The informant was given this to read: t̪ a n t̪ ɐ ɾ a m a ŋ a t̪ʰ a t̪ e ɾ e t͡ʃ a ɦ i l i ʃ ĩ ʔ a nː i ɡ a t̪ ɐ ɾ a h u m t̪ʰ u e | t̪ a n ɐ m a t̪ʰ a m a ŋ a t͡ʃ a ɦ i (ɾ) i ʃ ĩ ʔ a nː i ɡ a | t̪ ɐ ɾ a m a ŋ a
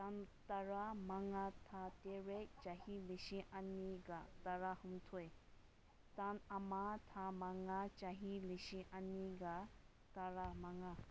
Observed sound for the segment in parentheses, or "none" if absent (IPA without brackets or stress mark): l